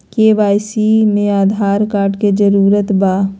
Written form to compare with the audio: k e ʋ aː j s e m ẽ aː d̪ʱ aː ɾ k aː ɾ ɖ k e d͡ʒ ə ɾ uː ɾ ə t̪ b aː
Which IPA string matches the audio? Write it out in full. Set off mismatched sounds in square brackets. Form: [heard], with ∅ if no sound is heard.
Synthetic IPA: k e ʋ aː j s [i] m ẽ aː d̪ʱ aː ɾ k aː ɾ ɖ k e d͡ʒ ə ɾ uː ɾ ə t̪ b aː

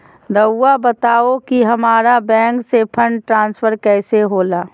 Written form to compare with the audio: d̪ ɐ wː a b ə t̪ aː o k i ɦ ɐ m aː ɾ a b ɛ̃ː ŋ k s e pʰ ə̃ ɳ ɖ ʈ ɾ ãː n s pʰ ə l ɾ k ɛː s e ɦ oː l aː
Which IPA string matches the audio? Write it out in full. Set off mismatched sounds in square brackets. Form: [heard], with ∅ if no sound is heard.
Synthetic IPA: d̪ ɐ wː a b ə t̪ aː o k i ɦ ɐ m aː ɾ a b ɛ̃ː ŋ k s e pʰ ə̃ ɳ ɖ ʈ ɾ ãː n s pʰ ə [∅] ɾ k ɛː s e ɦ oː l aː

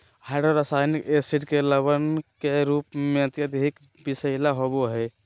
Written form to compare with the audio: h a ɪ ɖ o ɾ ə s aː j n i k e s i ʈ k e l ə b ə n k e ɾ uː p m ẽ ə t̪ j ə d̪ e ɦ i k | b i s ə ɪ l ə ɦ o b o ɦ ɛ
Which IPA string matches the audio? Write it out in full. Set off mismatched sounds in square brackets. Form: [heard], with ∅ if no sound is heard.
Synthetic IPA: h a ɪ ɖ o ɾ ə s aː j n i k e s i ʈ k e l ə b ə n k e ɾ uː p m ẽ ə t̪ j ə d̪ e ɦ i k | b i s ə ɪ l [a] ɦ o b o ɦ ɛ

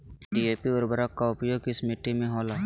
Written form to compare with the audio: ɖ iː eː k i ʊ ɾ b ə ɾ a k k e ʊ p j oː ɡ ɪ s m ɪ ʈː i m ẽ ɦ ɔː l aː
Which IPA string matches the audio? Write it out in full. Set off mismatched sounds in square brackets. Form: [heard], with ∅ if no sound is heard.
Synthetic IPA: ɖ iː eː [p] i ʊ ɾ b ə ɾ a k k [a] ʊ p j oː ɡ ɪ s m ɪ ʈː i m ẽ ɦ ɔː l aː

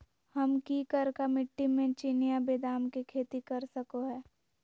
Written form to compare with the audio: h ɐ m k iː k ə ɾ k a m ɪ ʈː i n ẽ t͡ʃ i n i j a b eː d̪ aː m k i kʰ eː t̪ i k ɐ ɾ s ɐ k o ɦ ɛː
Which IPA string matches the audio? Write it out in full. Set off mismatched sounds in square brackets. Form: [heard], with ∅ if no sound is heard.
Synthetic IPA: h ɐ m k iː k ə ɾ k a m ɪ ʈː i [m] ẽ t͡ʃ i n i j a b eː d̪ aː m k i kʰ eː t̪ i k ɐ ɾ s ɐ k o ɦ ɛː

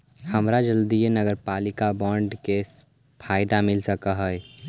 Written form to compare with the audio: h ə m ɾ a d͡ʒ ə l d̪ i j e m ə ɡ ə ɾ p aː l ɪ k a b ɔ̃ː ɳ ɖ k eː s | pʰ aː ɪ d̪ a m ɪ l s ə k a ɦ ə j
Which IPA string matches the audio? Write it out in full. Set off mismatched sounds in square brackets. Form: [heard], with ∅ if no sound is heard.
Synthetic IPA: h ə m ɾ a d͡ʒ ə l d̪ i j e [n] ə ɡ ə ɾ p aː l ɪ k a b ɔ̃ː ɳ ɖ k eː s | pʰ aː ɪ d̪ a m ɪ l s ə k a ɦ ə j

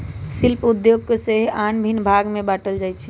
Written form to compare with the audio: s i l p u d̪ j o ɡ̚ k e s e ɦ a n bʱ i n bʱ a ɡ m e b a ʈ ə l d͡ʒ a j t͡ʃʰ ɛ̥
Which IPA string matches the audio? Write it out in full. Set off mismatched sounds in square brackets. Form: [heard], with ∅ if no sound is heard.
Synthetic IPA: s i l p u d̪ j o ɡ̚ k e s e ɦ a n bʱ i n bʱ a ɡ m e b a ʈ ə l d͡ʒ a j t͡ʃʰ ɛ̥

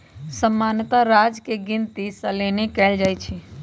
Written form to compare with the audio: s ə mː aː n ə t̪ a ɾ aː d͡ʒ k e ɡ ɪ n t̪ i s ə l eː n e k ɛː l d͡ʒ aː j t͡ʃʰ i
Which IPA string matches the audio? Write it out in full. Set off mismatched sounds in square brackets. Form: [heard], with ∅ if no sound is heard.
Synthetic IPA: s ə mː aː n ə t̪ a ɾ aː d͡ʒ k e ɡ ɪ n t̪ i s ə l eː n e k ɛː l d͡ʒ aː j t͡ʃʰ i

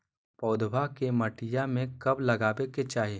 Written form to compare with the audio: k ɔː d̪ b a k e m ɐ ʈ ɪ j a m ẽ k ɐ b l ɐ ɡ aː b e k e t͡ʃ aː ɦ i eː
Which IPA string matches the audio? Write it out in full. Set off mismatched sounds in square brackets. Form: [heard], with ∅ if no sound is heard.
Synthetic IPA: [p] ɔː d̪ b a k e m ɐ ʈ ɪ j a m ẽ k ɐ b l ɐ ɡ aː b e k e t͡ʃ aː ɦ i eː

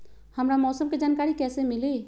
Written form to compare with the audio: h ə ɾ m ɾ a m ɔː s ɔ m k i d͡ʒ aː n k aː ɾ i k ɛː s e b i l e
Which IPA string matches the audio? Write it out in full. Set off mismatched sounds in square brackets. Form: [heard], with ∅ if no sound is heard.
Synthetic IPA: h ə [∅] m ɾ a m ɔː s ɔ m k [e] d͡ʒ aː n k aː ɾ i k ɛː s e [m] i l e

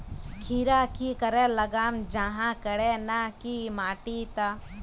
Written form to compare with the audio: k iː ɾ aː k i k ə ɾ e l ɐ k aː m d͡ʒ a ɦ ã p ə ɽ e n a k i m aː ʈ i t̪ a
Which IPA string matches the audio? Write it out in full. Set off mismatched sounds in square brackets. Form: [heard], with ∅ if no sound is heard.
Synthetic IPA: [kʰ] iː ɾ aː k i k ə ɾ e l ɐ [ɡ] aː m d͡ʒ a ɦ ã [k] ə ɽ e n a k i m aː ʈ i t̪ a

